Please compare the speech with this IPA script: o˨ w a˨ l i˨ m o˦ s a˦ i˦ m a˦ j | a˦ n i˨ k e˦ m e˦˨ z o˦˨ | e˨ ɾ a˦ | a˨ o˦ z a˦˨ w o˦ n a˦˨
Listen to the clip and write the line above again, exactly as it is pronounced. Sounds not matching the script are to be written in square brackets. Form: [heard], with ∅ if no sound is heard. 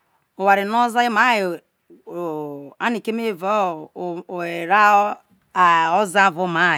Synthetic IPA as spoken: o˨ w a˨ [ɾ] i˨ [n] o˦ [z] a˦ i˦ m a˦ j | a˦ n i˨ k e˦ m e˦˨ [v] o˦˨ | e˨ ɾ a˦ | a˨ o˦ z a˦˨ [v] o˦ [m] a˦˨